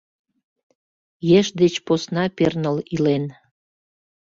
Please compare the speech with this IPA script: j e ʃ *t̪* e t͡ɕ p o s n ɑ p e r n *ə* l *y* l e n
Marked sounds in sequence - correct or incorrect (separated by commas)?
incorrect, correct, incorrect